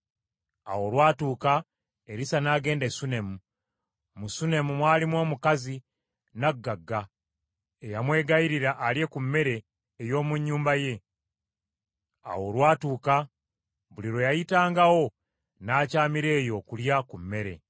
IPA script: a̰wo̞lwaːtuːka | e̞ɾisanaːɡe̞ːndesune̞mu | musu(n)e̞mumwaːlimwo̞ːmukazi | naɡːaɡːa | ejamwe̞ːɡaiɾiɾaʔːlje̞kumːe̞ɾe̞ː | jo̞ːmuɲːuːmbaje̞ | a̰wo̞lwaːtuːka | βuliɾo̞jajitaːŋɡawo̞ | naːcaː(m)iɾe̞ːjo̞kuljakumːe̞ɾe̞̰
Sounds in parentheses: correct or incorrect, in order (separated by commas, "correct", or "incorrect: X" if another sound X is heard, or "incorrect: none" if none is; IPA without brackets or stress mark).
correct, correct